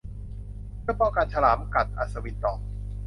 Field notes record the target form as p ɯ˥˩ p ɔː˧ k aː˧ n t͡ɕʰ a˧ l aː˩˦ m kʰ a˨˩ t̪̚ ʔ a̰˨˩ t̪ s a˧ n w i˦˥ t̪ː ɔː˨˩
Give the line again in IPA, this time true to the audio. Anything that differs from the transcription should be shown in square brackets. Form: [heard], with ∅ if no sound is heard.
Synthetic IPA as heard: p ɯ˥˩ p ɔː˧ k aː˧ n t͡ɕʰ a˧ l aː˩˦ m [k] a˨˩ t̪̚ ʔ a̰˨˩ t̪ s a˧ [∅] w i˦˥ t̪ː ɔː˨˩